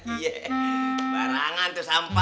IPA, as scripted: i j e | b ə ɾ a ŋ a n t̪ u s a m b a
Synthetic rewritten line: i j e | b a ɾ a ŋ a n t̪ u s a m p a

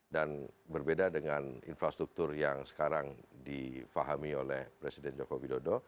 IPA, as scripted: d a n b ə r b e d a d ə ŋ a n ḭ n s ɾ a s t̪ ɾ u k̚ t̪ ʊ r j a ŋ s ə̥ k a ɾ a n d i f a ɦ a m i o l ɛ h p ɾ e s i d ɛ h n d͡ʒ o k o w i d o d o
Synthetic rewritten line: d a n b ə r b e d a d ə ŋ a n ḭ n f ɾ a s t̪ ɾ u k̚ t̪ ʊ r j a ŋ s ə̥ k a ɾ a ŋ d i f a ɦ a m i o l ɛ h p ɾ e s i d ɛ n d͡ʒ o k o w i d o d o

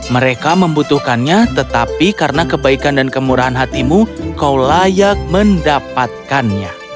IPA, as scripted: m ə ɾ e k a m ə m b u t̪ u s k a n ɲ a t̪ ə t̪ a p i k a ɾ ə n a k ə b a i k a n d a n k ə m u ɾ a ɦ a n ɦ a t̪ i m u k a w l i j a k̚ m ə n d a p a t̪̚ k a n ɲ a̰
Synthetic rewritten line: m ə ɾ e k a m ə m b u t̪ u h k a n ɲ a t̪ ə t̪ a p i k a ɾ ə n a k ə b a i k a n d a n k ə m u ɾ a ɦ a n ɦ a t̪ i m u k a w l a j a k̚ m ə n d a p a t̪̚ k a n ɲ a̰

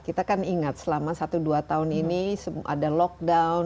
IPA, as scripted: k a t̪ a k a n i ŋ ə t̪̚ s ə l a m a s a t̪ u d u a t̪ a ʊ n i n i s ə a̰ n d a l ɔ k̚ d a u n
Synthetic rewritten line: k i t̪ a k a n i ŋ a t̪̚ s ə l a m a s a t̪ u d u a t̪ a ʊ n i n i s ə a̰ d a l ɔ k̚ d a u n

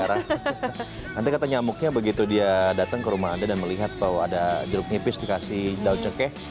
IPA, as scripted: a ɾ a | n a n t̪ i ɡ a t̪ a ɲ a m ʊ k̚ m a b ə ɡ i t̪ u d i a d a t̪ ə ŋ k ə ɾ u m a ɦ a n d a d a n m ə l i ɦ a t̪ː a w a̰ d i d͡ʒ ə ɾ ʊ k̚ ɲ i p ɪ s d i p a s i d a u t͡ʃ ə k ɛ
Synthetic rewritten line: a ɾ a | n a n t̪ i k a t̪ a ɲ a m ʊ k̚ ɲ a b ə ɡ i t̪ u d i a d a t̪ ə ŋ k ə ɾ u m a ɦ a n d a d a n m ə l i ɦ a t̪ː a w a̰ d a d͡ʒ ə ɾ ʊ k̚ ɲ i p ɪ s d i k a s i d a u t͡ʃ ə k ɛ

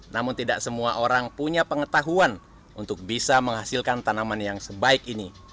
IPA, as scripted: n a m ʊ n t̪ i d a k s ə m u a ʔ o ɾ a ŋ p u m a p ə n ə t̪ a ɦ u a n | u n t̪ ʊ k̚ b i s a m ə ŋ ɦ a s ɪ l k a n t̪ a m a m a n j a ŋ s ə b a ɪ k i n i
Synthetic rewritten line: n a m ʊ n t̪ i d a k s ə m u a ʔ o ɾ a ŋ p u ɲ a p ə ŋ ə t̪ a ɦ u a n | u n t̪ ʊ k̚ b i s a m ə ŋ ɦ a s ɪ l k a n t̪ a n a m a n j a ŋ s ə b a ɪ k i n i

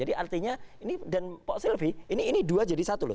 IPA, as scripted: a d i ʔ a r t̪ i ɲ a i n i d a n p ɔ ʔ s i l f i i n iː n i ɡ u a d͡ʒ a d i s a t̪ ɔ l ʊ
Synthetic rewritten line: a d i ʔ a r t̪ i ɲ a i n i d a n p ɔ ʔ s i l f i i n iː n i d u a d͡ʒ a d i s a t̪ u l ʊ

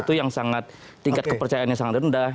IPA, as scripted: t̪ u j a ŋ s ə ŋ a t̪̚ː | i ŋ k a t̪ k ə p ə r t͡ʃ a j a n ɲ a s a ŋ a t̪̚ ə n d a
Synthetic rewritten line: t̪ u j a ŋ s a ŋ a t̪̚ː | i ŋ k a t̪ k ə p ə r t͡ʃ a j a n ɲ a s a ŋ a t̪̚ ə n d a

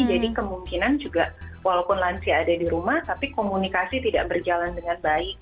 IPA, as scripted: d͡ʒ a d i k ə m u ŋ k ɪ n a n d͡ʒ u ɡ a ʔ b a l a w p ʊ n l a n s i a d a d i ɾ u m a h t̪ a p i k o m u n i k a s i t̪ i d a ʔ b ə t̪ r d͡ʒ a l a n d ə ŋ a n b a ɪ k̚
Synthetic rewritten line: d͡ʒ a d i k ə m u ŋ k i n a n d͡ʒ u ɡ a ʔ w a l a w p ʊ n l a n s i a d a d i ɾ u m a h t̪ a p i k o m u n i k a s i t̪ i d a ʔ b ə r d͡ʒ a l a n d ə ŋ a n b a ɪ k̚

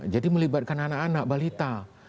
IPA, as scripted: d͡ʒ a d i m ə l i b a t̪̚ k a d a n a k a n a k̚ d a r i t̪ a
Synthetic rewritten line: d͡ʒ a d i m ə l i b a t̪̚ k a n a n a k a n a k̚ b a l i t̪ a

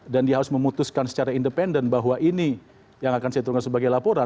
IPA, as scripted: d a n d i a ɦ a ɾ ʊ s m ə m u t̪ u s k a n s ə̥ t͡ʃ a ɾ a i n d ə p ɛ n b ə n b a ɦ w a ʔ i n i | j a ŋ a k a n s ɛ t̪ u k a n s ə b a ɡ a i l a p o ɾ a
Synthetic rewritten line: d a n d i a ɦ a ɾ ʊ s m ə m u t̪ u s k a n s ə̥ t͡ʃ a ɾ a i n d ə p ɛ n d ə n b a ɦ w a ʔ i n i | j a ŋ a k a n s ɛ t̪ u k a n s ə b a ɡ a j l a p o ɾ a

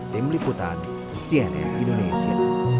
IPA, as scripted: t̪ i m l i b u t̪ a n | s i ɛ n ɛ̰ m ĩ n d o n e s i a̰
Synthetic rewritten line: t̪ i m l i p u t̪ a n | s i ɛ n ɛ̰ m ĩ n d o n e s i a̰

